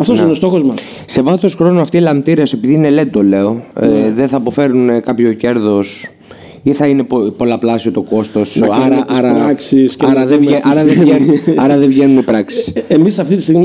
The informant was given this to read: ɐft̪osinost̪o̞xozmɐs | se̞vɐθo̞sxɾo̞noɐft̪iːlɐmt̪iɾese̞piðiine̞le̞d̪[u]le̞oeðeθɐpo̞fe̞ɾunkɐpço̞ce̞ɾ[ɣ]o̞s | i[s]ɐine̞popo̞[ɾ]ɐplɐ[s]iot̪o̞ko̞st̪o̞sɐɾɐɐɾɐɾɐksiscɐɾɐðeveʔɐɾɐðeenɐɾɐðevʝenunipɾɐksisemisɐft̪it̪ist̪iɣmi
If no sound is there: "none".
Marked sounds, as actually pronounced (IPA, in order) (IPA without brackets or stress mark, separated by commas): o, ð, θ, l, s